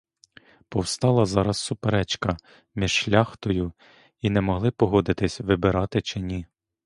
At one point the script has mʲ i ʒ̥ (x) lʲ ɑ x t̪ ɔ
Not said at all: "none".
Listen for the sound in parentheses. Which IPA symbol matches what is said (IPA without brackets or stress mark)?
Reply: ʃ